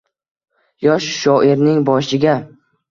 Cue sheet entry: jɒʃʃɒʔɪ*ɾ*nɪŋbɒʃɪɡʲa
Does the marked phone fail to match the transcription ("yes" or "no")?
no